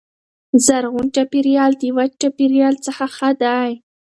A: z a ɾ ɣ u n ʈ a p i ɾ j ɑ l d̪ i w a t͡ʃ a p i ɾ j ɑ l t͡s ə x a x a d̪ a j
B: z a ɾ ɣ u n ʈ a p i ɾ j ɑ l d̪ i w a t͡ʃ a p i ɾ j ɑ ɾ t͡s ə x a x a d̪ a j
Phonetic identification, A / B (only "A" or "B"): A